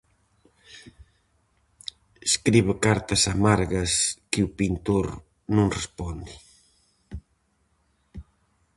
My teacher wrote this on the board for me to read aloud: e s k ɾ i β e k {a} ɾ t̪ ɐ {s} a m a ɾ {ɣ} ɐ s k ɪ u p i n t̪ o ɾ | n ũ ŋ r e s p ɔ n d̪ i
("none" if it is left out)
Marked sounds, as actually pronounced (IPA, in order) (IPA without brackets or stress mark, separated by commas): a, s, ɣ